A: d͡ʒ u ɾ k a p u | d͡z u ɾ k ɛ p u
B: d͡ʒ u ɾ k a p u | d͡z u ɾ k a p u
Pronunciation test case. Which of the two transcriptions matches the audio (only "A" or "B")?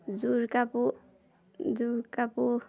B